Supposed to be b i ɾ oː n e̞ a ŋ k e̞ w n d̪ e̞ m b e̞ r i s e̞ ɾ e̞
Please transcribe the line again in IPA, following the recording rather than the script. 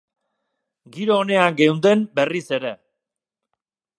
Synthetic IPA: ɡ i ɾ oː n e̞ a ŋ ɡ e̞ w n d̪ e̞ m b e̞ r i s e̞ ɾ e̞